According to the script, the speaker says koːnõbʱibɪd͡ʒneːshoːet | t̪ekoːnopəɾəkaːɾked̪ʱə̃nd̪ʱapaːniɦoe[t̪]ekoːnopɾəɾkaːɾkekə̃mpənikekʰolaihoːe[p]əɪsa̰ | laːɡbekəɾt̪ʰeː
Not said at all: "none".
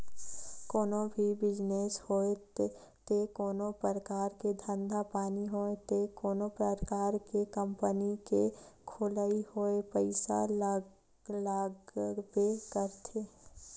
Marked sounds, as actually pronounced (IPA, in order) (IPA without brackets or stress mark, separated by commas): t̪, p